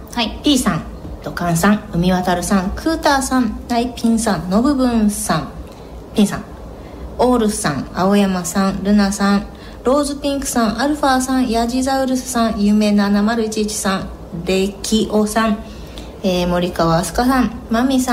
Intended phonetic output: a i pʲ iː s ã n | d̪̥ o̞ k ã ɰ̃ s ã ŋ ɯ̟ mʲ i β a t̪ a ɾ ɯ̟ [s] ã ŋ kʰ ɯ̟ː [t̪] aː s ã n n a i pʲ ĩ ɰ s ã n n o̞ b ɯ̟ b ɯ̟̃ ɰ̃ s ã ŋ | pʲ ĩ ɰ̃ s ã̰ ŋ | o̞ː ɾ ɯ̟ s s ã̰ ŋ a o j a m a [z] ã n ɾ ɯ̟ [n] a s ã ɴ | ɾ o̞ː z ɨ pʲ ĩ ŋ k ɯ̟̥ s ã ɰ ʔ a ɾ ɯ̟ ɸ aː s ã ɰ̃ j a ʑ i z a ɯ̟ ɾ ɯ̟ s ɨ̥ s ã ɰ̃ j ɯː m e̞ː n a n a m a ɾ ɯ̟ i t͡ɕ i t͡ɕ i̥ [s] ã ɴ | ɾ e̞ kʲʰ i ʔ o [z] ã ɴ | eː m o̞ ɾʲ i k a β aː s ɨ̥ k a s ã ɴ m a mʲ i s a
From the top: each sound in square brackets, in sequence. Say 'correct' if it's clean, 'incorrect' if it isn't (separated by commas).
correct, correct, incorrect, correct, correct, incorrect